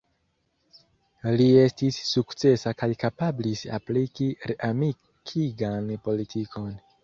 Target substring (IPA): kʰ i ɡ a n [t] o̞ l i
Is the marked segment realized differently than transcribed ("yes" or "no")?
yes